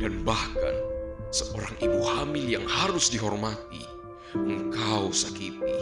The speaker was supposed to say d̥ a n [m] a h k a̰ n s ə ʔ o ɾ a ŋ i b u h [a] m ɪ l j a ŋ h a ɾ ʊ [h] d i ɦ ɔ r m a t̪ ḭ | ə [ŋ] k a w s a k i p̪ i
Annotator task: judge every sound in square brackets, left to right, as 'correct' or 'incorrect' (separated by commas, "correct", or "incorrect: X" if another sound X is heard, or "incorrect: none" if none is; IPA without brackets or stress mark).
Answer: incorrect: b, correct, incorrect: s, correct